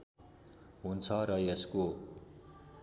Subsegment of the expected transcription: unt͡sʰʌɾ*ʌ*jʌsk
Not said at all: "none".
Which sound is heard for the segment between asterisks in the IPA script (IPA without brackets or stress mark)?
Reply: ʌ